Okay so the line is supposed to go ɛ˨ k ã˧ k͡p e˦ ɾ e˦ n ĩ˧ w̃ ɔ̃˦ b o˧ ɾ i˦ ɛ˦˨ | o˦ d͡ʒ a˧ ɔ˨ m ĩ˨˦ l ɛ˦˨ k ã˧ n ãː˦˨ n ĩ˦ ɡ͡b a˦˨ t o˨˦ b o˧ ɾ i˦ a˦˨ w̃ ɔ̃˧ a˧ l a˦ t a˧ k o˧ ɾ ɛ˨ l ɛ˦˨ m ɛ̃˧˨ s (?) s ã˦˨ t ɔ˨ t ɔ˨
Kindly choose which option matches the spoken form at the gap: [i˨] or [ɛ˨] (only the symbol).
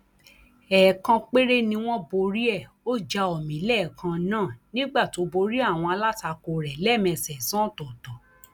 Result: ɛ˨